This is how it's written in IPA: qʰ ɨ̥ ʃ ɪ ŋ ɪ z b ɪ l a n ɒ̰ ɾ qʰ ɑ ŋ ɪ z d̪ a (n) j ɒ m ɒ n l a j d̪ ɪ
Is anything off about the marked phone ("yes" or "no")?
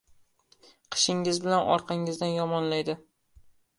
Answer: no